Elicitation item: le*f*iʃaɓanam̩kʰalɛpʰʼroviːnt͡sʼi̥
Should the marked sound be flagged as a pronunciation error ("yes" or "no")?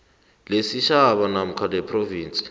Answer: yes